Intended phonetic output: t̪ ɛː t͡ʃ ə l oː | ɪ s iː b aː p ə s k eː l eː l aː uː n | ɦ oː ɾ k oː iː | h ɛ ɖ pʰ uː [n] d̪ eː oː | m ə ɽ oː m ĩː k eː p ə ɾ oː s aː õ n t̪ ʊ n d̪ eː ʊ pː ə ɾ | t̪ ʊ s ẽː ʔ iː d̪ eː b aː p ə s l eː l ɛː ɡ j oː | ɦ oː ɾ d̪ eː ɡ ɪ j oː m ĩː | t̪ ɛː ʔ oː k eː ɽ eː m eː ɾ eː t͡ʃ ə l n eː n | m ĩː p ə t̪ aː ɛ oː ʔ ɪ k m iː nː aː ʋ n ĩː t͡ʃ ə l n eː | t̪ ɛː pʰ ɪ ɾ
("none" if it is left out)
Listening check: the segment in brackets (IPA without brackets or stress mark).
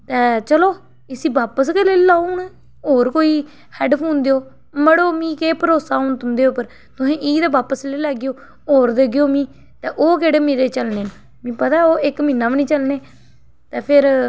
n